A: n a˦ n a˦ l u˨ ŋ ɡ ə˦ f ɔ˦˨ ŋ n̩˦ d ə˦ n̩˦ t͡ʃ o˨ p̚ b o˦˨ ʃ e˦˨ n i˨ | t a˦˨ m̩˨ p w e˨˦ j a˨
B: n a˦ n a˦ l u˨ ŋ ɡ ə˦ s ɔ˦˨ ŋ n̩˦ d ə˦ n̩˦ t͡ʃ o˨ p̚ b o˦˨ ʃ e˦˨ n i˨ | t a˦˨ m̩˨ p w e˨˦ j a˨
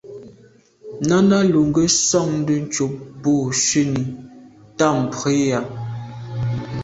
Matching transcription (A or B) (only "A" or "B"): B